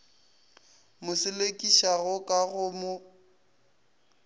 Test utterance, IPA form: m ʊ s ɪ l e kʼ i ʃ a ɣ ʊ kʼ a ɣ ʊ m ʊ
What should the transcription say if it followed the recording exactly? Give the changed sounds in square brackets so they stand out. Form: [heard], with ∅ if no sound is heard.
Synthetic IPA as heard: m ʊ s ɪ l e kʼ i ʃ a ɣ ʊ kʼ a ɣ ʊ m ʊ